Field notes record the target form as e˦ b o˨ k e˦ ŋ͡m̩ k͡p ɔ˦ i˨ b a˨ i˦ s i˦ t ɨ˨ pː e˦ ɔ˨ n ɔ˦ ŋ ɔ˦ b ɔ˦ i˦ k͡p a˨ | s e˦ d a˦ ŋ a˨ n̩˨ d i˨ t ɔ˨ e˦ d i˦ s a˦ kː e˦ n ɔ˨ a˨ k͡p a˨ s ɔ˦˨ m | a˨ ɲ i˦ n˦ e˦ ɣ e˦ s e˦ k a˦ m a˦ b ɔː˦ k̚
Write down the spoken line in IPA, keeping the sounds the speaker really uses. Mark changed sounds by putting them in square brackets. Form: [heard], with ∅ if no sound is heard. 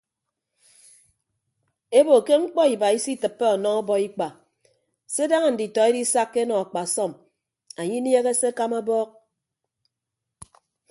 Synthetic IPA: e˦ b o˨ k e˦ ŋ͡m̩ k͡p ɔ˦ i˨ b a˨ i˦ s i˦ t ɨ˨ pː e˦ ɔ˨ n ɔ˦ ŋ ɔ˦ b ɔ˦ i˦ k͡p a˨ | s e˦ d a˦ ŋ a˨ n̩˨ d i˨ t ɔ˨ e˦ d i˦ s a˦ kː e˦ n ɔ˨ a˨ k͡p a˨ s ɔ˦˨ m | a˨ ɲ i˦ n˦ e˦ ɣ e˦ s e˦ k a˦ m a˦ b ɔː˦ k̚